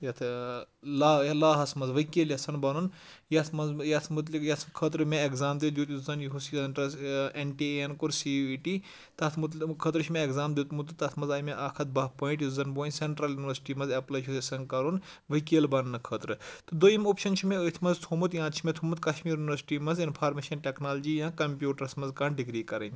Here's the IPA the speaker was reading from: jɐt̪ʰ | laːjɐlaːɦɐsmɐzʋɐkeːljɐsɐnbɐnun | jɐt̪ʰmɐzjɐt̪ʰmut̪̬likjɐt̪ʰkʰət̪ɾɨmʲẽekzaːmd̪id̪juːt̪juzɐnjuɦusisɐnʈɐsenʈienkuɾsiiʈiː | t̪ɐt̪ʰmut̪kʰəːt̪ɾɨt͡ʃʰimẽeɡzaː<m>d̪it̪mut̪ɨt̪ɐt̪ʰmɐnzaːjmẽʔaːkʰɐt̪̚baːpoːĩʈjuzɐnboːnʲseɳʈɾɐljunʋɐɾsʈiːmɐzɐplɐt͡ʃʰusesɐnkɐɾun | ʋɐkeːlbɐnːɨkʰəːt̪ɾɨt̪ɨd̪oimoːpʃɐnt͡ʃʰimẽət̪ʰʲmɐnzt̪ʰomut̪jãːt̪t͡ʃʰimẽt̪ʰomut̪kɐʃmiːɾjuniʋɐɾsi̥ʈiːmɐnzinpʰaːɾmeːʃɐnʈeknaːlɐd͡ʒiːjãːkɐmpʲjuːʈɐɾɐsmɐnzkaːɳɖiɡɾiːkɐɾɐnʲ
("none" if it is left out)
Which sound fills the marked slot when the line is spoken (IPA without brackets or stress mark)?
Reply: m